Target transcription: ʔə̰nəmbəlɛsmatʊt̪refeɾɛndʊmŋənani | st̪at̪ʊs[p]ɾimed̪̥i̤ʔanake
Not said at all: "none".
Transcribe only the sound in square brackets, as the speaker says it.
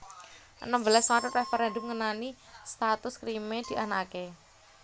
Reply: k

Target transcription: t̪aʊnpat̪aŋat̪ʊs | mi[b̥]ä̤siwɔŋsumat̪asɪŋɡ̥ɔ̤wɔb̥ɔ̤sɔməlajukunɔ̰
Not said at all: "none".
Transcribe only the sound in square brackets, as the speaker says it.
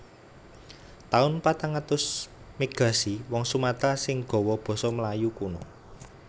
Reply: ɡ̥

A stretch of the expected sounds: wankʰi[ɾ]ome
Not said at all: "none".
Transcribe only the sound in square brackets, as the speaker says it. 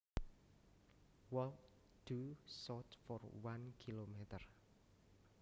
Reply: l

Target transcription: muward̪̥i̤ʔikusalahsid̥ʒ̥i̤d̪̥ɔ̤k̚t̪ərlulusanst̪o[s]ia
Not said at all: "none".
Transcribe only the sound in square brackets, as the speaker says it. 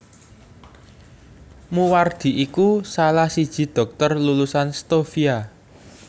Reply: f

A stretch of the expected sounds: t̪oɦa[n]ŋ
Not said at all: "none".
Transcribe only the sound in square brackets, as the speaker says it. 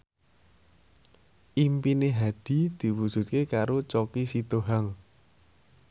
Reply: none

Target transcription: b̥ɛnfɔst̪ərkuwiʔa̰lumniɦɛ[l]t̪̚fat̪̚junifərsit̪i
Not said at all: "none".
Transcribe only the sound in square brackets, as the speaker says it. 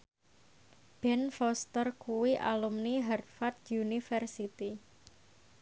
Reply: r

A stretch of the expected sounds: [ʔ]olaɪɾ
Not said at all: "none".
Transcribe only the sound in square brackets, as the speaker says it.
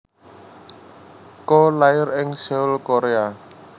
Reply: k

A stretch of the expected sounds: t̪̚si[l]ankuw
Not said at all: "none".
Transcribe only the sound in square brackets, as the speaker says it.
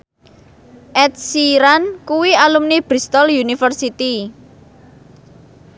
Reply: ɾ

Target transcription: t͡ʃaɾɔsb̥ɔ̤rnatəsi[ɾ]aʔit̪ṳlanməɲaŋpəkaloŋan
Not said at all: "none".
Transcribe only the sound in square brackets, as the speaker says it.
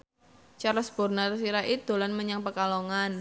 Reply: ɾ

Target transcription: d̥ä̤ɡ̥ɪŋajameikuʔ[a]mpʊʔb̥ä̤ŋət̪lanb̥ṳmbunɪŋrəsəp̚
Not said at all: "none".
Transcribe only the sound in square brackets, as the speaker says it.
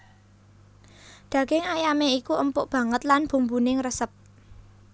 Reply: ə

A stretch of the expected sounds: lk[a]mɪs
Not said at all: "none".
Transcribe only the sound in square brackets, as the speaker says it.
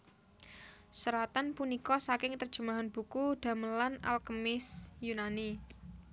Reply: ə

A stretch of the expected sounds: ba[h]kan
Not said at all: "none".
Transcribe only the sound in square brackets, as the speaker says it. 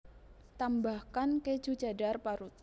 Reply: h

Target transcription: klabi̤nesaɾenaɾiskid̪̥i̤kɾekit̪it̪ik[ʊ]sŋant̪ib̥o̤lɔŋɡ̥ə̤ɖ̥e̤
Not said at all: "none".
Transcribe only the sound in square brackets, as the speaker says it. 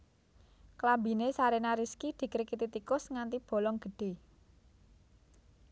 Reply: ʊ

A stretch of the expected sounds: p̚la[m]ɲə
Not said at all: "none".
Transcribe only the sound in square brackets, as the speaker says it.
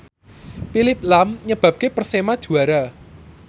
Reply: m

